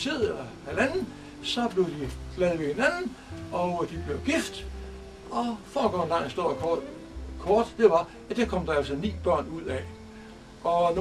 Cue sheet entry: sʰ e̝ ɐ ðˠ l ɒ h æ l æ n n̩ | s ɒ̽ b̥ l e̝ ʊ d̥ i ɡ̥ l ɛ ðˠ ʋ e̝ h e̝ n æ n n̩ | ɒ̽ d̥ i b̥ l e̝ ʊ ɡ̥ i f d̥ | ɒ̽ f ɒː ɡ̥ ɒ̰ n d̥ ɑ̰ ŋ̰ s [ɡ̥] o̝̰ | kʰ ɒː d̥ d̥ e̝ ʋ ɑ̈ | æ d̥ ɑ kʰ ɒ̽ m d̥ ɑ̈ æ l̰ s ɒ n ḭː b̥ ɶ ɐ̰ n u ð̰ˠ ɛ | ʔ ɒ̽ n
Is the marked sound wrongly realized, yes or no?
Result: yes